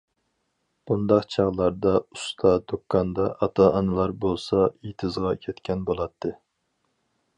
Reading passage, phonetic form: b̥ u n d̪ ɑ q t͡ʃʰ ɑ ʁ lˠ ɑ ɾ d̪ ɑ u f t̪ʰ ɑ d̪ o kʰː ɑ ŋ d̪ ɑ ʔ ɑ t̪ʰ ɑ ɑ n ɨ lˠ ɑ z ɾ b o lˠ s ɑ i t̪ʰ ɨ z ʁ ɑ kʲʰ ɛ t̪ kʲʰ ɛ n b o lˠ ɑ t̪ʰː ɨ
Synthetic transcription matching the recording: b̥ u n d̪ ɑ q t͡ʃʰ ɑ ʁ lˠ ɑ ɾ d̪ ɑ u s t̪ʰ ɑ d̪ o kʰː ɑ n d̪ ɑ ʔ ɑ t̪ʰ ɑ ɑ n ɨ lˠ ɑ ɾ b o lˠ s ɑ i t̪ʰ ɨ z ʁ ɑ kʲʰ ɛ t̪ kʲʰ ɛ n b o lˠ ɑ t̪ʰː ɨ